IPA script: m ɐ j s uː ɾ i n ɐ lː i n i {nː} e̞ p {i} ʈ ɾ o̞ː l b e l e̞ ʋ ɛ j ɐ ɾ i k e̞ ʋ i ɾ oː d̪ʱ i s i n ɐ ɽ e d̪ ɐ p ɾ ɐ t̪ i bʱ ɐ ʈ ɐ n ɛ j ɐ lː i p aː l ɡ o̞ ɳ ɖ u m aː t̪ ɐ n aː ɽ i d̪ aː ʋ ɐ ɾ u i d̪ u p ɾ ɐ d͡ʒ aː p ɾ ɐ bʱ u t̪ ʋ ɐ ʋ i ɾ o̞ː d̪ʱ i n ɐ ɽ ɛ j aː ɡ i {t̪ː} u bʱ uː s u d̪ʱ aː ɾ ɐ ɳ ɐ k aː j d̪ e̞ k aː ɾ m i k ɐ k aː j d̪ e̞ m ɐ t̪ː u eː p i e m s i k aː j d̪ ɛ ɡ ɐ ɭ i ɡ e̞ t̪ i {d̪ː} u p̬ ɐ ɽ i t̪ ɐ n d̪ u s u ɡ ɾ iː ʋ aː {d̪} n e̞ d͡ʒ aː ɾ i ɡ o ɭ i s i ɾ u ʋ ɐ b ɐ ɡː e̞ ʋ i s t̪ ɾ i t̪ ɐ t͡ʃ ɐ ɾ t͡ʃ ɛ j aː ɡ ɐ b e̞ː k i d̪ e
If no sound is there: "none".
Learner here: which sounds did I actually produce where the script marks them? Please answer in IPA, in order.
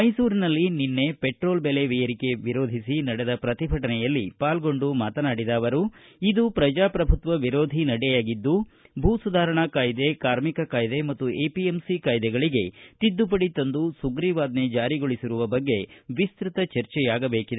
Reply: nː, e, d̪ː, d̪ː, d̪

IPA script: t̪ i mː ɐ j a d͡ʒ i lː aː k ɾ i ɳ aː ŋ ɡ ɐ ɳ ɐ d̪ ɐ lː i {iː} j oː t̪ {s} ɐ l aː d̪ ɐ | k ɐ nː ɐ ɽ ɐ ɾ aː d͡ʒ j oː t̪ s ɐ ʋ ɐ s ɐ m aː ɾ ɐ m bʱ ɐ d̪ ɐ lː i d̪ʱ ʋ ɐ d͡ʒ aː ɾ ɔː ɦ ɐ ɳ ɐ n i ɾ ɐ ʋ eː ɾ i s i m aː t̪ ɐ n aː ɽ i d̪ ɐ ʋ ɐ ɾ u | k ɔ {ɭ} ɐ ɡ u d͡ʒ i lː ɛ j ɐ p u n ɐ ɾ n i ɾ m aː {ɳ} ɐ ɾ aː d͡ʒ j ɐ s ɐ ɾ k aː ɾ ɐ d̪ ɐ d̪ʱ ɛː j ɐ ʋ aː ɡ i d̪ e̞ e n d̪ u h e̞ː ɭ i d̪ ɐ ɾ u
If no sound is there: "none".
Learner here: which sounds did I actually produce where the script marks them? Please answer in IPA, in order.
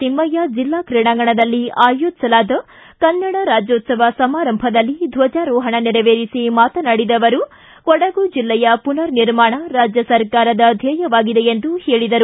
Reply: aː, s, ɽ, ɳ

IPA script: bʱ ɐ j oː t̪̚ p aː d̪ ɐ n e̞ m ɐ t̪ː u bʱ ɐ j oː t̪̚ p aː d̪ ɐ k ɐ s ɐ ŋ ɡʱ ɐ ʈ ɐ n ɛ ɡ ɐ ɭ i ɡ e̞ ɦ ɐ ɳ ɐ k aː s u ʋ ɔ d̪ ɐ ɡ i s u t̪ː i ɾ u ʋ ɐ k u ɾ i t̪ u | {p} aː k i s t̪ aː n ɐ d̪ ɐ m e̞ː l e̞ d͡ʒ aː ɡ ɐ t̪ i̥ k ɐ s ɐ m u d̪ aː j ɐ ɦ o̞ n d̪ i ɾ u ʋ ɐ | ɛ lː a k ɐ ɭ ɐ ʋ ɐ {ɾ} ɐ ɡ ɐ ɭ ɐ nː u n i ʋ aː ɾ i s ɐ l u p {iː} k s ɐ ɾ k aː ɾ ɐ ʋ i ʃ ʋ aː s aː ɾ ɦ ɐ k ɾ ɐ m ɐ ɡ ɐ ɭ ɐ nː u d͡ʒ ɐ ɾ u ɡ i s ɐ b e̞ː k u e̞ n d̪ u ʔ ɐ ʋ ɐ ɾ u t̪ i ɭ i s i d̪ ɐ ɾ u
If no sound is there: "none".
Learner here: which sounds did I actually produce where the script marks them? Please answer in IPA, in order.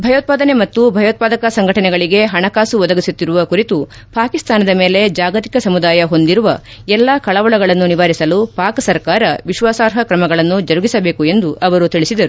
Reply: p, ɭ, aː

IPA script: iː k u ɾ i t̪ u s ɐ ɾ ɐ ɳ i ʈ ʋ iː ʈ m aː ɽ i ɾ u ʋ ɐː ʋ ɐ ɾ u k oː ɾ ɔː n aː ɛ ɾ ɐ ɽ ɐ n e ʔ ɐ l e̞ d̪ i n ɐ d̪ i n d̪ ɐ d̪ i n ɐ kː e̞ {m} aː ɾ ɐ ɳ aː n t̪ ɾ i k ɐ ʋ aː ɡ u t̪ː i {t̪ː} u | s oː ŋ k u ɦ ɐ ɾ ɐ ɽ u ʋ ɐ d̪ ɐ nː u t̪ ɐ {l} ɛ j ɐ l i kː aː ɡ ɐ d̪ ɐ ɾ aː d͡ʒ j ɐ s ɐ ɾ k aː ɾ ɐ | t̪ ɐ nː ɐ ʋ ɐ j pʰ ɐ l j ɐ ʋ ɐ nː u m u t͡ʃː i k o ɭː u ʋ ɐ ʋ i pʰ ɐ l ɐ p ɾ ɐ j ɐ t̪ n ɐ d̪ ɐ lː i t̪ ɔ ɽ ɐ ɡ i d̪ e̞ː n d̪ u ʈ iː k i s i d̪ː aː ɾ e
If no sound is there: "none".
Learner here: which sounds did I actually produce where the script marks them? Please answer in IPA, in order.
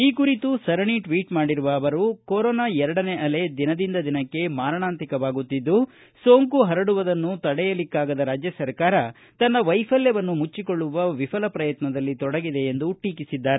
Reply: m, d̪ː, ɽ

